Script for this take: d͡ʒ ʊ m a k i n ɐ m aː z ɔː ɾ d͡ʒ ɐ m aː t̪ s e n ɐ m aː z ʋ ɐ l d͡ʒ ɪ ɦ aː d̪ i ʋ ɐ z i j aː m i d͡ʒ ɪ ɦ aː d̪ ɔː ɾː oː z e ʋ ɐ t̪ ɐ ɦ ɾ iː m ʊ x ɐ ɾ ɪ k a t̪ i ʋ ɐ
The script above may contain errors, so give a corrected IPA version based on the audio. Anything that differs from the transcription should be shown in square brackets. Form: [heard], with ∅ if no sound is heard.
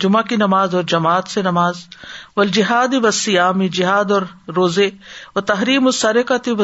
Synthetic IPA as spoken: d͡ʒ ʊ m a k i n ɐ m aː z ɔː ɾ d͡ʒ ɐ m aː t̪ s e n ɐ m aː z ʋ ɐ l d͡ʒ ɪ ɦ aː d̪ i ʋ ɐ [s] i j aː m i d͡ʒ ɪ ɦ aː d̪ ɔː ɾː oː z e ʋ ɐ t̪ ɐ ɦ ɾ iː m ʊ [s] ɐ ɾ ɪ k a t̪ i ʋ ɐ